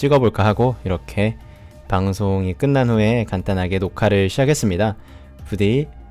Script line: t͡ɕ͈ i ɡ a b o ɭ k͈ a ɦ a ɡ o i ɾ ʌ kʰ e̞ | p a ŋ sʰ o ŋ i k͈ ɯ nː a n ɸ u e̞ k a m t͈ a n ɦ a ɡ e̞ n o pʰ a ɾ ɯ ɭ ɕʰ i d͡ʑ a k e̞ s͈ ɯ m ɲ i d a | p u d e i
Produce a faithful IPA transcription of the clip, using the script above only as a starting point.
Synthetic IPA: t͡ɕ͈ i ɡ ʌ b o ɭ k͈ a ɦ a ɡ o i ɾ ʌ kʰ e̞ | p a ŋ sʰ o ŋ i k͈ ɯ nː a n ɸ u e̞ k a n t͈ a n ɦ a ɡ e̞ n o kʰ a ɾ ɯ ɭ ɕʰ i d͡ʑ a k e̞ s͈ ɯ m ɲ i d a | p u d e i